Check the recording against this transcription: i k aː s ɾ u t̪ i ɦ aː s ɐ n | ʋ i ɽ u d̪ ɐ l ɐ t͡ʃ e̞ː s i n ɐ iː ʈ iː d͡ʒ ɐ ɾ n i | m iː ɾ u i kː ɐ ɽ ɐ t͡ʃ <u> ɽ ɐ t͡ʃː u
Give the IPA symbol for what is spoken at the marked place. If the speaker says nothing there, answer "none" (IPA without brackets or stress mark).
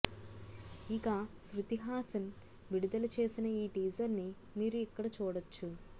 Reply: uː